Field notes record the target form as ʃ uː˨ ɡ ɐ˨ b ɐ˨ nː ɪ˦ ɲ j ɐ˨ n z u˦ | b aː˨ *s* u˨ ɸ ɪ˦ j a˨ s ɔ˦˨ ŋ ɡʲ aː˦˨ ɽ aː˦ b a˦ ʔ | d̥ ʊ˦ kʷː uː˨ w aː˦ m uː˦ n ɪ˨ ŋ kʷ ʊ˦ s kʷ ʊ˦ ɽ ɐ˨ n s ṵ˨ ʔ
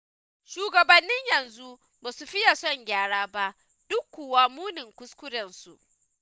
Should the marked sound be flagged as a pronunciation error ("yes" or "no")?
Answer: no